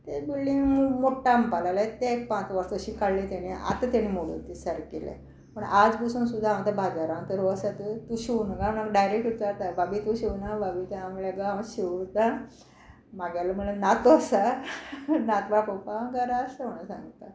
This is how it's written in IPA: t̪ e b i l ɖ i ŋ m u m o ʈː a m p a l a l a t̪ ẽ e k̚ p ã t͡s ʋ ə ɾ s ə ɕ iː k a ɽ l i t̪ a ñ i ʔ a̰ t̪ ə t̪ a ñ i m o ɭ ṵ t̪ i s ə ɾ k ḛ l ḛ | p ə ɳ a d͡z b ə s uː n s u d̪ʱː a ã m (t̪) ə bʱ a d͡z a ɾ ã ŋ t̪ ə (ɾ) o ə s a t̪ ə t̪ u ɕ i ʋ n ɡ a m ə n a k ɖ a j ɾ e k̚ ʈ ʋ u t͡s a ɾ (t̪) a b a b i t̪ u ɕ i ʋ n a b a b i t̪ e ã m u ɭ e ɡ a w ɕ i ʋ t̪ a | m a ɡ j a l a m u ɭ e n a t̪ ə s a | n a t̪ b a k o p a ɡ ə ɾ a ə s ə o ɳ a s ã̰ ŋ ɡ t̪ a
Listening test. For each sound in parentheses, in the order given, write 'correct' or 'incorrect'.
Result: correct, correct, correct

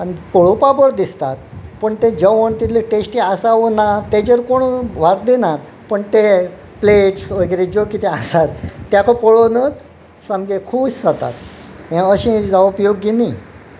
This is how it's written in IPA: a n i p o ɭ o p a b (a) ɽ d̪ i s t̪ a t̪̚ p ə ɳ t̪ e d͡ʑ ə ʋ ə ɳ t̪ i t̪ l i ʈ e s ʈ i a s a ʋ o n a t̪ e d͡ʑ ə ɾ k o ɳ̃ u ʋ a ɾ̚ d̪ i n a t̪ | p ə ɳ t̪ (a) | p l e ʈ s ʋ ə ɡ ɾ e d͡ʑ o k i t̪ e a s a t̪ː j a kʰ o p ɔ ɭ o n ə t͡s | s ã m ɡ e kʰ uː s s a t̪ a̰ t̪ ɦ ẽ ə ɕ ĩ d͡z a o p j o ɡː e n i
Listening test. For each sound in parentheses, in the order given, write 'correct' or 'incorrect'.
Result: incorrect: ə, incorrect: e

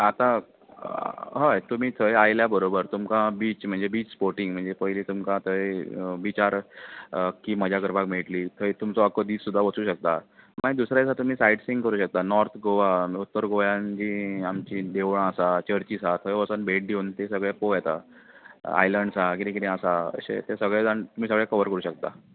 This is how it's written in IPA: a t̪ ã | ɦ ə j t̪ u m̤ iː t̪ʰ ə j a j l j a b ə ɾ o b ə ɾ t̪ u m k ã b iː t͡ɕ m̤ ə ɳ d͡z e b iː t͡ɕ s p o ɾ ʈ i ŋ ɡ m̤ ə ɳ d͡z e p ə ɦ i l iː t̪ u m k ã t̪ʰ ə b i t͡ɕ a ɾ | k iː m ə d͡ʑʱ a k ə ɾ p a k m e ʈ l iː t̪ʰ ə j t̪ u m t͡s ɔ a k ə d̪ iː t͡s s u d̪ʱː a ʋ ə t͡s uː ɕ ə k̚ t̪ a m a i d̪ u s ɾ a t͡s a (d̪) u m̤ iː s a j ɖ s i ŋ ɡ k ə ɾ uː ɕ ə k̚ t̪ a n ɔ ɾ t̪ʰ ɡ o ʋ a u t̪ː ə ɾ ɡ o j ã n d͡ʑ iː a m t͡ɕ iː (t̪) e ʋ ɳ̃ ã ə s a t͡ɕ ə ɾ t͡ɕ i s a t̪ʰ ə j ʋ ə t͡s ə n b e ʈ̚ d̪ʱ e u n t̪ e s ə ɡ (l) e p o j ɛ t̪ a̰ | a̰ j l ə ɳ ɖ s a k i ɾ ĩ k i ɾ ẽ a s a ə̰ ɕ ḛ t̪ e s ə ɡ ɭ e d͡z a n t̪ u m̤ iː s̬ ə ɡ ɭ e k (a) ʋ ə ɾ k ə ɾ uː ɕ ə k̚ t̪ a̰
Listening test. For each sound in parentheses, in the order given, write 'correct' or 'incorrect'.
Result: incorrect: t̪, incorrect: d̪, incorrect: ɭ, incorrect: ə

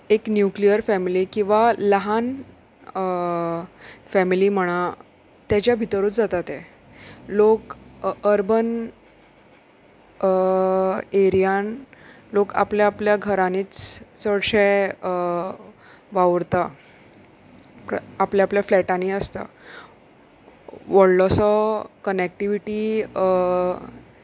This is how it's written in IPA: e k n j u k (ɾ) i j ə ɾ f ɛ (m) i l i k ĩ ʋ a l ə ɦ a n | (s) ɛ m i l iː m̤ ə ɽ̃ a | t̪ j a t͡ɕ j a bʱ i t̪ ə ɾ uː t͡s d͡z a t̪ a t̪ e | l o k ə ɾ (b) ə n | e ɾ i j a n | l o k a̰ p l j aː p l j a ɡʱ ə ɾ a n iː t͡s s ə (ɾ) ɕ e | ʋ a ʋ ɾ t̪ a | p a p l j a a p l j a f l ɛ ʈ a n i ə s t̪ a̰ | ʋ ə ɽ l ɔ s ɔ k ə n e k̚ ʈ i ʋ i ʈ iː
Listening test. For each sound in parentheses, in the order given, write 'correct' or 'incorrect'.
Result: incorrect: l, correct, incorrect: f, correct, incorrect: ɽ

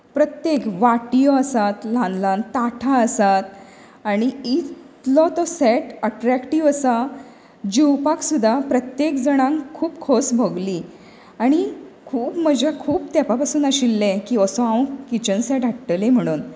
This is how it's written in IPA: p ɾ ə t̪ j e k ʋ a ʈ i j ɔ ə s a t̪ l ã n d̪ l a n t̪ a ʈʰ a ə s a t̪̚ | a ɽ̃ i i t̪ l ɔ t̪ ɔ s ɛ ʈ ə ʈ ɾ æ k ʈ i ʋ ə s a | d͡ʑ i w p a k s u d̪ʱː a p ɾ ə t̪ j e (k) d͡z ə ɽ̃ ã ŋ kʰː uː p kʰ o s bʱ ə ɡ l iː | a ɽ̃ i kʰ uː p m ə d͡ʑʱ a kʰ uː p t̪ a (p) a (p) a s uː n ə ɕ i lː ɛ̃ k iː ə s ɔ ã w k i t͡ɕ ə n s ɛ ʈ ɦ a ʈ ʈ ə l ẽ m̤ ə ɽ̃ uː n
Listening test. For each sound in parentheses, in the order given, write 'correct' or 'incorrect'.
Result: correct, correct, correct

